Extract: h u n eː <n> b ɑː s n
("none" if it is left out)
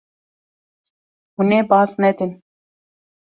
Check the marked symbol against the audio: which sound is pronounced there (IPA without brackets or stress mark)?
none